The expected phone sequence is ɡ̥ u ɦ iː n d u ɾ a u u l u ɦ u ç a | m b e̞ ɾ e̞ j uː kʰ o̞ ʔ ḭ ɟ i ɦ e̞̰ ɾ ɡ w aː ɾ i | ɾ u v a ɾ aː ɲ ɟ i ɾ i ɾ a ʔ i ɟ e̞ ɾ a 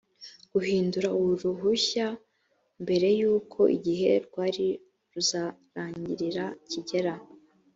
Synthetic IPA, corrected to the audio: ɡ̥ u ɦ iː n d u ɾ a u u ɾ u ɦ u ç a | m b e̞ ɾ e̞ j uː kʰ o̞ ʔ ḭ ɟ i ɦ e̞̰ ɾ ɡ w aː ɾ i | ɾ u z a ɾ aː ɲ ɟ i ɾ i ɾ a c i ɟ e̞ ɾ a